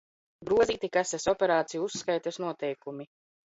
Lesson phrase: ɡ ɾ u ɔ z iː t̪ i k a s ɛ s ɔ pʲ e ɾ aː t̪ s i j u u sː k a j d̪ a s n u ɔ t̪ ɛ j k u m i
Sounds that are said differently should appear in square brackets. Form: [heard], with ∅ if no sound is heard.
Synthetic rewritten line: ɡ ɾ u ɔ z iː t̪ i k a s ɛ s ɔ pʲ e ɾ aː t̪ s i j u u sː k a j [t̪] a s n u ɔ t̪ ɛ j k u m i